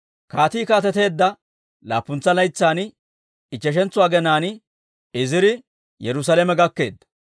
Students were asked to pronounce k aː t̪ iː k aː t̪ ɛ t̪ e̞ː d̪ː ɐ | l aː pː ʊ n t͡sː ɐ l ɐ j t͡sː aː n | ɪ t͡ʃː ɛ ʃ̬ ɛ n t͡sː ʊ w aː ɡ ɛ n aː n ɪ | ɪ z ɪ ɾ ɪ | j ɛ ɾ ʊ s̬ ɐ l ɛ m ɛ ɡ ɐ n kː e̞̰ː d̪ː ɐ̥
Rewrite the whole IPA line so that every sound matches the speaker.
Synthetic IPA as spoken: k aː t̪ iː k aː t̪ ɛ t̪ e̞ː d̪ː ɐ | l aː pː ʊ n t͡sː ɐ l ɐ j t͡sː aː n | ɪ t͡ʃː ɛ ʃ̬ ɛ n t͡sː ʊ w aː ɡ ɛ n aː n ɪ | ɪ z ɪ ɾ ɪ | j ɛ ɾ ʊ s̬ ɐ l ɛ m ɛ ɡ ɐ kː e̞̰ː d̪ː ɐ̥